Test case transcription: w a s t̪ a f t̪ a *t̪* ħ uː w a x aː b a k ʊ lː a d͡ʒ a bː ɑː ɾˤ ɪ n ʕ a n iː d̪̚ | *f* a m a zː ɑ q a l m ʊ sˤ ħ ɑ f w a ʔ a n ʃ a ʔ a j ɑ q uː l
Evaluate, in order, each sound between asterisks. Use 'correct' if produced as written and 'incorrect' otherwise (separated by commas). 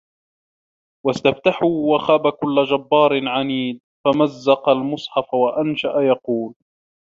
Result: incorrect, correct